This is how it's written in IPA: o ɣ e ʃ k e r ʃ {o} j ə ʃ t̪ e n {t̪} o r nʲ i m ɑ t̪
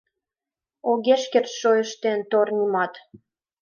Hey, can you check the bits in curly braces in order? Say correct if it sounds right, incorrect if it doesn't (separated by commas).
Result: correct, correct